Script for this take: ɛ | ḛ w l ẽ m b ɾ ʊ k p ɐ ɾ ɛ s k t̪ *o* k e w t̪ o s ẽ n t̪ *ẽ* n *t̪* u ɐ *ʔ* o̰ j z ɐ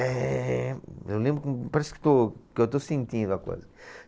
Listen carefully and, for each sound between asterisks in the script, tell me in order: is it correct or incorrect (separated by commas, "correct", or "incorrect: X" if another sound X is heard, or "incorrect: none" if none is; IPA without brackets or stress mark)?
correct, incorrect: ĩ, incorrect: d̪, incorrect: k